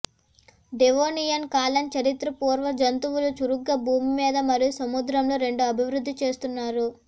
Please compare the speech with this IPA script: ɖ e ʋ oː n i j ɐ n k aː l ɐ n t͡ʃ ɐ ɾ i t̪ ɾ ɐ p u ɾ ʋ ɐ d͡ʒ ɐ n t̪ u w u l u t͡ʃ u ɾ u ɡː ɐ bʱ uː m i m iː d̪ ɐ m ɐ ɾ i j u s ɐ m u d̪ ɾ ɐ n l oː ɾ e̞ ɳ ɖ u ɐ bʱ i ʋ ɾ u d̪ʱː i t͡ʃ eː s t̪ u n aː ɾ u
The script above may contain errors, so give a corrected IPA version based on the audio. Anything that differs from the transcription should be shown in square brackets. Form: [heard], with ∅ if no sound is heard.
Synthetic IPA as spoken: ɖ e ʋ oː n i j ɐ n k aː l ɐ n t͡ʃ ɐ ɾ i t̪ ɾ ɐ p [uː] ɾ ʋ ɐ d͡ʒ ɐ n t̪ u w u l u t͡ʃ u ɾ u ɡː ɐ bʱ uː m i m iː d̪ ɐ m ɐ ɾ i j u s ɐ m u d̪ ɾ ɐ [m] l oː ɾ e̞ ɳ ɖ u ɐ bʱ i ʋ ɾ u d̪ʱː i t͡ʃ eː s t̪ u [nː] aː ɾ u